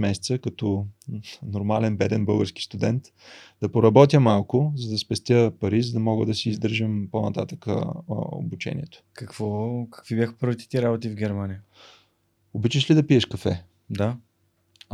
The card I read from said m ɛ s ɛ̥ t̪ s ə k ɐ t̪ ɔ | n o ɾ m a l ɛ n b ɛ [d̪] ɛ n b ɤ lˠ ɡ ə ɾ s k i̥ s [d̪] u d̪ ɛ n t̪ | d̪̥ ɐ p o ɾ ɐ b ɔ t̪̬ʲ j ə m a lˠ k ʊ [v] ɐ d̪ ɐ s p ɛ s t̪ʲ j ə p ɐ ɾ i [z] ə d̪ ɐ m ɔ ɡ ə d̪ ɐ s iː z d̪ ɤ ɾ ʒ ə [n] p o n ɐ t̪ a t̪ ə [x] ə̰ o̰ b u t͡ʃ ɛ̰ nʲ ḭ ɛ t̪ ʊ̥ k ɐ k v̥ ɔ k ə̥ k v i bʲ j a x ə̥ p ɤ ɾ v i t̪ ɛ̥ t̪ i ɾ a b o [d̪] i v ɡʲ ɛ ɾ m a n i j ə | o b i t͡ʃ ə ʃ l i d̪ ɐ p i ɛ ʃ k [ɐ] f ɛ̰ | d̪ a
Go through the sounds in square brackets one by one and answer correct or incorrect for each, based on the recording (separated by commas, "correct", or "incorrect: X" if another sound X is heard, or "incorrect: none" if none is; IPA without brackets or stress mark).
correct, incorrect: t̪, incorrect: z, correct, incorrect: m, incorrect: k, incorrect: t̪, correct